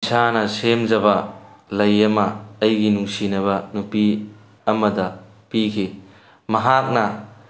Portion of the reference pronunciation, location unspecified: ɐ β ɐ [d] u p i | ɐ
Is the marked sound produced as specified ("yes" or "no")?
no